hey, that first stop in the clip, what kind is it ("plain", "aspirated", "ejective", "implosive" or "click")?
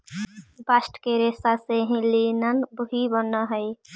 plain